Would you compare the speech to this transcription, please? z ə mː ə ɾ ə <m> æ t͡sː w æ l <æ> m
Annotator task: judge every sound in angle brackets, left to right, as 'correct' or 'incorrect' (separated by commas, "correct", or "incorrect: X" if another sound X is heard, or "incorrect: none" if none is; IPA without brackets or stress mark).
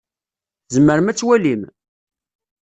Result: correct, incorrect: i